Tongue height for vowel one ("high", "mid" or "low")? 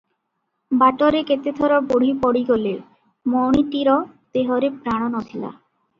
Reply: low